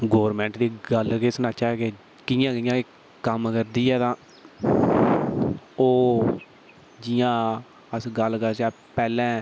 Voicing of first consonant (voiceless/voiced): voiced